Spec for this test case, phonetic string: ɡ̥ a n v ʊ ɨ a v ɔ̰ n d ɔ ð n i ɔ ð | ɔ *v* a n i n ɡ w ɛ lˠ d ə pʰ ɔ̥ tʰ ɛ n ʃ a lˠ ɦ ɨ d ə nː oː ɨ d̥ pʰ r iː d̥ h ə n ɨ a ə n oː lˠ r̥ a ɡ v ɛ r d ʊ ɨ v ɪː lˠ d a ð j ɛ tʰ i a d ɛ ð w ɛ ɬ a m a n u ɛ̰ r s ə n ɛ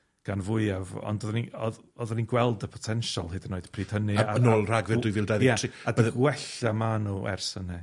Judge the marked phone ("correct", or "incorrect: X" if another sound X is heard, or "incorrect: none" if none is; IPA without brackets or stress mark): incorrect: ð